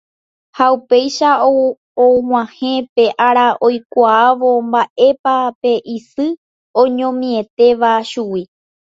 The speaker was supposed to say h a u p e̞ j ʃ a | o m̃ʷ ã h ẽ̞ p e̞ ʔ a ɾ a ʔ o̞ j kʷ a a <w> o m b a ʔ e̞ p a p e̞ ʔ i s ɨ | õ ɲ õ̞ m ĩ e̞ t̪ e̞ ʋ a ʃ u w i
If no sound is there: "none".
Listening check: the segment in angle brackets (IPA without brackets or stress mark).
ʋ